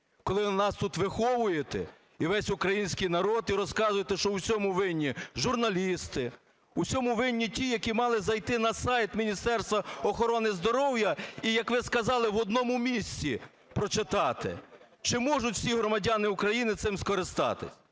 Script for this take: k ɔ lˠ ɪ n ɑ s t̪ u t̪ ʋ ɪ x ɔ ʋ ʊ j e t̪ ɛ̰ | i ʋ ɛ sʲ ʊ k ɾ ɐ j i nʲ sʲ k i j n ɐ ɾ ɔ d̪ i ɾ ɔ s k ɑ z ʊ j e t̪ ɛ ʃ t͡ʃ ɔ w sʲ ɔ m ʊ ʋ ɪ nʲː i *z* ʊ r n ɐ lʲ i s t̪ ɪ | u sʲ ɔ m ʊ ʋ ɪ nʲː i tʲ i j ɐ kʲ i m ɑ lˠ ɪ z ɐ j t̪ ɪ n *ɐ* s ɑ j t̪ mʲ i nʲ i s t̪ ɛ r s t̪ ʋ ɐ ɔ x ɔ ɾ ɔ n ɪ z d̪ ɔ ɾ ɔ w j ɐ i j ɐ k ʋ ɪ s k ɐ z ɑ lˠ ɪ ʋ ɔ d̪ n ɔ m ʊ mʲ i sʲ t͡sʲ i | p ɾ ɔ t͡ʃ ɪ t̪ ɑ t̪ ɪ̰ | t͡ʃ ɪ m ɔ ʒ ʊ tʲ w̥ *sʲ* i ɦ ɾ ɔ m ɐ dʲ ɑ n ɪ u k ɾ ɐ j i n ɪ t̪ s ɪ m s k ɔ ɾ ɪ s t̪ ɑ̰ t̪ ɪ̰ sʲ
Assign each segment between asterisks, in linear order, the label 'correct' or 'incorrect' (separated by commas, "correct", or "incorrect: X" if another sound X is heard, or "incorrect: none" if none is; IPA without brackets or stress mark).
incorrect: ʒ, correct, correct